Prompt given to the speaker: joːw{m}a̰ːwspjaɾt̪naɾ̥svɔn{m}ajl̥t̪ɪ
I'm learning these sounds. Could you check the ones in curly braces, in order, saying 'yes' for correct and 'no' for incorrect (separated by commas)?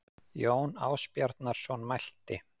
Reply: no, yes